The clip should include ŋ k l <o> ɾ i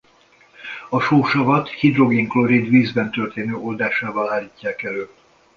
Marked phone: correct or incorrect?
correct